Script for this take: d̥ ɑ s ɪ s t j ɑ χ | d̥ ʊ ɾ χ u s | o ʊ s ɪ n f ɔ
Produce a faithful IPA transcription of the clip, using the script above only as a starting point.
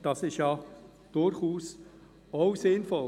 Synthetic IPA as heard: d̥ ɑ s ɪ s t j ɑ | d̥ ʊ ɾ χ uː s | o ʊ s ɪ n f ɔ

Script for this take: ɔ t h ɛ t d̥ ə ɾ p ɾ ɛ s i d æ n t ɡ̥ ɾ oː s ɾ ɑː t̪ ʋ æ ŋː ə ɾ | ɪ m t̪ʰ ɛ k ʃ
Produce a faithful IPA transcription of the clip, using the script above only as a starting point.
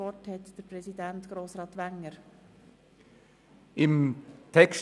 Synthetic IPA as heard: ɔ t h ɛ t d̥ ə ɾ p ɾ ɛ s i d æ n t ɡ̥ ɾ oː s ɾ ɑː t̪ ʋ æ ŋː ə ɾ | ɪ m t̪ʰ ɛ k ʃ

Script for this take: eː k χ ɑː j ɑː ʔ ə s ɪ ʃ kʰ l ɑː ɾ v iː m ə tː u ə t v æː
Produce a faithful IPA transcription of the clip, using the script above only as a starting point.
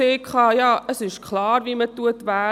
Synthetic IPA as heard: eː k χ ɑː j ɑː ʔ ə s ɪ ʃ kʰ l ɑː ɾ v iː m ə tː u ə t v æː

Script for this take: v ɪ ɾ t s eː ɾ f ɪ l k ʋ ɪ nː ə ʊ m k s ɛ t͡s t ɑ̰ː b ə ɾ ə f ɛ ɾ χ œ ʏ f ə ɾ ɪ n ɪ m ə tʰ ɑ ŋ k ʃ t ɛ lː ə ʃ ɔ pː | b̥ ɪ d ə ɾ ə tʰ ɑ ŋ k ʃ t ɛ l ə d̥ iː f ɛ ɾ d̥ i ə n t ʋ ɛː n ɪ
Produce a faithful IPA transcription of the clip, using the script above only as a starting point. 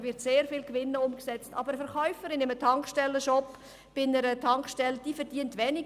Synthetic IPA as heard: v ɪ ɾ t s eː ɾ f ɪ l k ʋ ɪ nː ə ʊ m k s ɛ t͡s t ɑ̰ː b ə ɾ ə f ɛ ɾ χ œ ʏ f ə ɾ ɪ n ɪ m ə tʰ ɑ ŋ k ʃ t ɛ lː ə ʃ ɔ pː | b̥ ɪ n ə ɾ ə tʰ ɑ ŋ k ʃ t ɛ l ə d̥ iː f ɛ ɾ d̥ i ə n t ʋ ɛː n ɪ

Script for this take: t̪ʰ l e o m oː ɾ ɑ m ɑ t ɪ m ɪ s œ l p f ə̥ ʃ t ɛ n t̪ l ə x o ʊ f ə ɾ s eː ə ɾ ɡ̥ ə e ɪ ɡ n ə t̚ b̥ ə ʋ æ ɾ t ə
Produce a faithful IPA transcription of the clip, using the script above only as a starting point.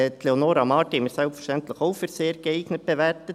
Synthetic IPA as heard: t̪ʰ l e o n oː ɾ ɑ m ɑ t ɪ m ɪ s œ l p f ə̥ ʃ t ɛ n t̪ l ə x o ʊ f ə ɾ s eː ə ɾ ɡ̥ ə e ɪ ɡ n ə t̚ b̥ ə ʋ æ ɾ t ə

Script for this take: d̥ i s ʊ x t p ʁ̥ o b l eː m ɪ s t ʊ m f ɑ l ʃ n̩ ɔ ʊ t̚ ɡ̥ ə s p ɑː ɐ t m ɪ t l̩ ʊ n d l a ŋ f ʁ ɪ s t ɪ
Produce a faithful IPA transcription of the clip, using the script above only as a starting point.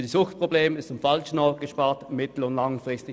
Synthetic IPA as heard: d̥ i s ʊ x t p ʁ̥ o b l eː m ɪ s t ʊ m f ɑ l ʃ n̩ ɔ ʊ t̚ ɡ̥ ə ʃ p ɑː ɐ t m ɪ t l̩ ʊ n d l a ŋ f ʁ ɪ s t ɪ

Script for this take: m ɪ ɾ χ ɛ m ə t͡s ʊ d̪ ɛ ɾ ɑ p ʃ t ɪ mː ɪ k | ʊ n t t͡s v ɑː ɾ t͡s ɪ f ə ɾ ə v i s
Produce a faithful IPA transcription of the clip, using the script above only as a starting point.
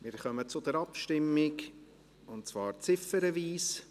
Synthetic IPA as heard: m ɪ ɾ χ œ m ə t͡s ʊ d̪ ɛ ɾ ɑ p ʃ t ɪ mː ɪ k | ʊ n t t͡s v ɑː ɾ t͡s ɪ f ə ɾ ə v iː s

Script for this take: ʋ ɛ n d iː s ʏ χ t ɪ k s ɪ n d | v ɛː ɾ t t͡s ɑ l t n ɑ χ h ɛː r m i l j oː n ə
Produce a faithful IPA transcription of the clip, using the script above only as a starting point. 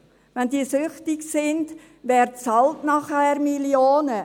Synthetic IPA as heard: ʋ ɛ n d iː s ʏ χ t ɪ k s ɪ n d | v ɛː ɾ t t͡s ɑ l t n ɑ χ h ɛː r m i l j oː n ə

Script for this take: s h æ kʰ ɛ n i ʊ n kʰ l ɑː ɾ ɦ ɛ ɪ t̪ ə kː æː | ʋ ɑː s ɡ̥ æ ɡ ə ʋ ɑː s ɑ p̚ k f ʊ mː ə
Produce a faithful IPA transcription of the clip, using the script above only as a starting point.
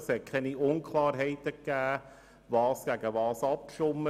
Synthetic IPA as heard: s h ɛ kʰ ɛ n i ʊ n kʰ l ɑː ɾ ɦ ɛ ɪ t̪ ə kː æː | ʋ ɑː s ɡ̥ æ ɡ ə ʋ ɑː s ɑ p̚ k ʃ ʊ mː ə

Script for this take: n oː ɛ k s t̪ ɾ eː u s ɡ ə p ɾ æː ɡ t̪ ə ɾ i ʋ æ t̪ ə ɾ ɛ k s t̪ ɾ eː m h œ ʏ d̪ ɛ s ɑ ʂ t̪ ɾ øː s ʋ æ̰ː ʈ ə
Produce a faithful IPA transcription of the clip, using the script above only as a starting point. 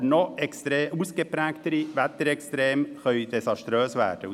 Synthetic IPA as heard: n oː ɛ k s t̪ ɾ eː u s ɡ ə p ɾ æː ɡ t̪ ə ɾ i ʋ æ t̪ ə ɾ ɛ k s t̪ ɾ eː m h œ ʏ d̪ ɛ s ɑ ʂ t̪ ɾ øː s ʋ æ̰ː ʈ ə

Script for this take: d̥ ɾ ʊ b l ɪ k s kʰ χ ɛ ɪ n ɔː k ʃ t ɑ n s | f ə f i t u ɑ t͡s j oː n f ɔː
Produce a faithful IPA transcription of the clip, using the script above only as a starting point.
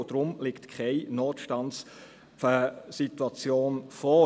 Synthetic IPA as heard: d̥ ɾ ʊ m l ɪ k t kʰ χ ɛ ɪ n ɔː t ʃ t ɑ n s | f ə s i t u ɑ t͡s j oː n f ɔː

